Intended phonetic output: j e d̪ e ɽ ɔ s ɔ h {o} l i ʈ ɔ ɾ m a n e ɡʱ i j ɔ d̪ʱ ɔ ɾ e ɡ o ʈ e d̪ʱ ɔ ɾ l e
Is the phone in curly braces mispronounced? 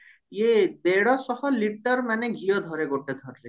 yes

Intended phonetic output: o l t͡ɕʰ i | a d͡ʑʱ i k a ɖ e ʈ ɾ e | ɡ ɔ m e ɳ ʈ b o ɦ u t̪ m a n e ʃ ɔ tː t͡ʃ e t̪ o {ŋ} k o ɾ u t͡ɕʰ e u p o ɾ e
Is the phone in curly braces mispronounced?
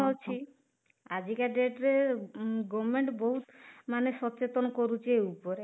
yes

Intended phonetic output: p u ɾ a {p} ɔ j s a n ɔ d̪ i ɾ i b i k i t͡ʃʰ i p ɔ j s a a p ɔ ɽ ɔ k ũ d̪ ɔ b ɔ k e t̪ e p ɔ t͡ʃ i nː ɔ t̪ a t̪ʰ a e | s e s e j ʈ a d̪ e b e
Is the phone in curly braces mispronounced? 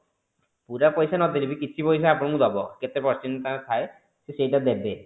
no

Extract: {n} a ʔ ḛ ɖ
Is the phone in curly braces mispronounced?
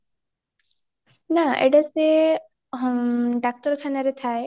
no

